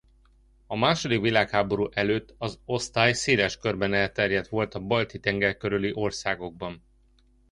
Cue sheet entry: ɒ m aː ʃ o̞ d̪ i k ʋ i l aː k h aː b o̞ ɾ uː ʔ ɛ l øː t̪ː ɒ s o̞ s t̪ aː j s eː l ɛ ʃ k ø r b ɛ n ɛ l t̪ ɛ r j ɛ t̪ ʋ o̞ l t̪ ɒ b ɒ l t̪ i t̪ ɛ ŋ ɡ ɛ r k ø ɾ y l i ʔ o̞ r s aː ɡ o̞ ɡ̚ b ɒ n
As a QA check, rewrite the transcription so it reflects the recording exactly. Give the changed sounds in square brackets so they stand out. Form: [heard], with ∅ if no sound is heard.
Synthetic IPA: ɒ m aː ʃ o̞ d̪ i k ʋ i l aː k h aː b o̞ ɾ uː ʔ ɛ l øː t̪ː ɒ [z] o̞ s t̪ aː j s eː l ɛ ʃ k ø r b ɛ n ɛ l t̪ ɛ r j ɛ t̪ ʋ o̞ l t̪ ɒ b ɒ l t̪ i t̪ ɛ ŋ ɡ ɛ r k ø ɾ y l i ʔ o̞ r s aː ɡ o̞ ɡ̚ b ɒ n